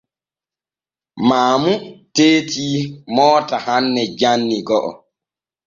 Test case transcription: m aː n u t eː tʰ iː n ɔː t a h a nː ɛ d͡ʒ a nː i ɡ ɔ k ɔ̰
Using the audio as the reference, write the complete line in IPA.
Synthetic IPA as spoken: m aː m u t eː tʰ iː m ɔː t a h a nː ɛ d͡ʒ a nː i ɡ ɔ ʔ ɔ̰